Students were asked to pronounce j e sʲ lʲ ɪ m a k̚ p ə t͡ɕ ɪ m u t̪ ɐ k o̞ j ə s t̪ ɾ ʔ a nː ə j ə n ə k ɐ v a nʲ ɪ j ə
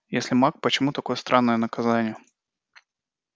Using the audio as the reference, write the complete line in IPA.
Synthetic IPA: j e sʲ lʲ ɪ m a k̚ p ə t͡ɕ ɪ m u t̪ ɐ k o̞ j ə s t̪ ɾ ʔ a nː ə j ə n ə k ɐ z a nʲ ɪ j ə